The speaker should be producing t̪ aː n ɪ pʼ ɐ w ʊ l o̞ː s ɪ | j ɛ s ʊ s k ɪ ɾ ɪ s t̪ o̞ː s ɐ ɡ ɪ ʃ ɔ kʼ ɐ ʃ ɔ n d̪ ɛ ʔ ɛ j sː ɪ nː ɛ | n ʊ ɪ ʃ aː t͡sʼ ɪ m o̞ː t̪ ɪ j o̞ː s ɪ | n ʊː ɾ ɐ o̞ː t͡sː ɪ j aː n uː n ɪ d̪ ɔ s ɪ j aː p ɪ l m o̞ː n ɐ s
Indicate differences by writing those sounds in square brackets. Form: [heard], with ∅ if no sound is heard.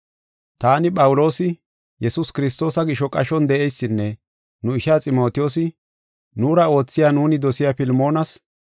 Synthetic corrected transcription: t̪ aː n ɪ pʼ ɐ w ʊ l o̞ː s ɪ | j ɛ s ʊ s k ɪ ɾ ɪ s t̪ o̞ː s ɐ ɡ ɪ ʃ ɔ kʼ ɐ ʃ ɔ n d̪ ɛ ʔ ɛ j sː ɪ nː ɛ | n ʊ ɪ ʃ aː t͡sʼ ɪ m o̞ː t̪ ɪ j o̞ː s ɪ | n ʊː ɾ ɐ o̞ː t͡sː ɪ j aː n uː n ɪ d̪ ɔ s ɪ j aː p ɪ l m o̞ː n ɐ s